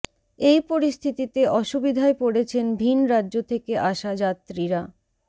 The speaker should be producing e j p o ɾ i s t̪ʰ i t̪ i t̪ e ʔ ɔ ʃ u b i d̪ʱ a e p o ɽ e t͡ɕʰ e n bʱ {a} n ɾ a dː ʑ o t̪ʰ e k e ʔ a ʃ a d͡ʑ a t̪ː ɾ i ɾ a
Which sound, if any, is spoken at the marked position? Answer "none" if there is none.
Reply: i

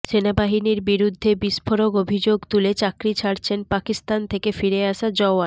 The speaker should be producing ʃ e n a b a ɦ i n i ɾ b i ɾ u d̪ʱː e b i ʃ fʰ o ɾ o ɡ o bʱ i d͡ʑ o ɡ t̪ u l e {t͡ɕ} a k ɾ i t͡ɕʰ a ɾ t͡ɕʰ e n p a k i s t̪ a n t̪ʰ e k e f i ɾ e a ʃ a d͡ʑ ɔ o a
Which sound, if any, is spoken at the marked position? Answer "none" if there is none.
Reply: t͡ɕ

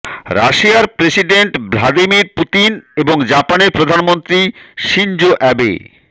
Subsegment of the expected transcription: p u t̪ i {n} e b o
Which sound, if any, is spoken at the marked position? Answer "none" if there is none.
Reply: n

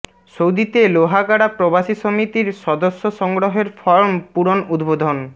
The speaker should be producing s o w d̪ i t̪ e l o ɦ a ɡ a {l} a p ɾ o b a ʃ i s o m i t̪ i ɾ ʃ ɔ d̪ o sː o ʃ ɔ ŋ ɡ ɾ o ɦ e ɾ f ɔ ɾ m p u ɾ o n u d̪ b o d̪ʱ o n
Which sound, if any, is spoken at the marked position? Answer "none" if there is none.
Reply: ɽ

